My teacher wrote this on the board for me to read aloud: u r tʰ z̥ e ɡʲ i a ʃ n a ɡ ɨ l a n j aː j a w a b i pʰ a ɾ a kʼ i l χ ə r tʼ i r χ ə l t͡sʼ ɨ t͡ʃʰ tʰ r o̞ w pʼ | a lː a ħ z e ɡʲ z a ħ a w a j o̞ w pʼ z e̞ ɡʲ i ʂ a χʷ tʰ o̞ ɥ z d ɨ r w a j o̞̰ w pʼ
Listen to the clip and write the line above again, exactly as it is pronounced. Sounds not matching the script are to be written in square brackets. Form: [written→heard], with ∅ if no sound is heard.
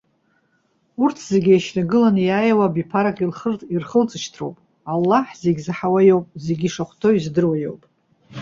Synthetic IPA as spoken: u r tʰ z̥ e ɡʲ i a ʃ n a ɡ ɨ l a n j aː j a w a b i pʰ a ɾ a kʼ i l χ ə r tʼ i r χ ə l t͡sʼ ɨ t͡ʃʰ tʰ r o̞ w pʼ | a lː a ħ z e ɡʲ z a ħ a w a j o̞ w pʼ z e̞ ɡʲ i ʂ a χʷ tʰ o̞ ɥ z d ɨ r w a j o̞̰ w pʼ